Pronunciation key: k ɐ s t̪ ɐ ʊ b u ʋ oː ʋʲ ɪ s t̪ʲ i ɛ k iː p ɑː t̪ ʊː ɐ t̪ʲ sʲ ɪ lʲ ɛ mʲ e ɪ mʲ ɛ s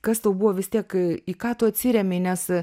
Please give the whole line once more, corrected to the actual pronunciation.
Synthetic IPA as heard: k ɐ s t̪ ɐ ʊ b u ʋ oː ʋʲ ɪ s t̪ʲ i ɛ k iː k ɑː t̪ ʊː ɐ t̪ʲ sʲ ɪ ɾʲ ɛ mʲ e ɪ nʲ ɛ s